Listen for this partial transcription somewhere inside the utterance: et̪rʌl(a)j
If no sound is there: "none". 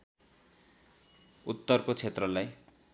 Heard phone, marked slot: a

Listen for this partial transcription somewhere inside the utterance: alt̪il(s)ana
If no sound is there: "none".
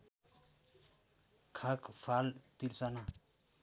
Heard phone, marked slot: s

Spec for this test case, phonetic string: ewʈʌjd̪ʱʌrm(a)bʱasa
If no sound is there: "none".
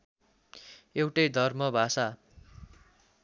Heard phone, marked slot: ʌ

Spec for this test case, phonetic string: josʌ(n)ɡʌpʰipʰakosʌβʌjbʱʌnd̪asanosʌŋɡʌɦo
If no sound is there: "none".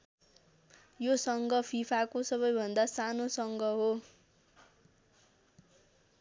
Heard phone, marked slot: ŋ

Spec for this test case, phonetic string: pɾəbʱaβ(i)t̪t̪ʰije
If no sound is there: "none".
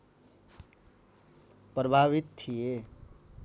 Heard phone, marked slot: i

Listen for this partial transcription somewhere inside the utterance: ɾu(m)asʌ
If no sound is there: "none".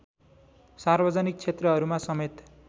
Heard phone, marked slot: m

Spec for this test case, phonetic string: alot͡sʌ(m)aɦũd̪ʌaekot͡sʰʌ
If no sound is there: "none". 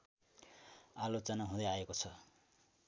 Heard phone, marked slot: n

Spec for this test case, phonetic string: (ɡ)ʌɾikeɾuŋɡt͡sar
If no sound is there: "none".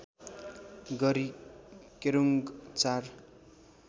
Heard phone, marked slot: ɡ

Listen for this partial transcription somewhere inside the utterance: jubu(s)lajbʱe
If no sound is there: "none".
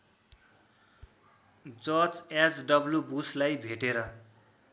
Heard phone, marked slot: s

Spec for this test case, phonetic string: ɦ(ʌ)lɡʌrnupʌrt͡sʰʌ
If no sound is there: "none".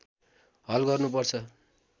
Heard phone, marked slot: ʌ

